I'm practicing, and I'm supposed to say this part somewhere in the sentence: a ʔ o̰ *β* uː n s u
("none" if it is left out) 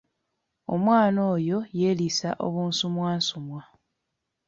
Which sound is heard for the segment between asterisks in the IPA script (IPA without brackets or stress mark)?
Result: β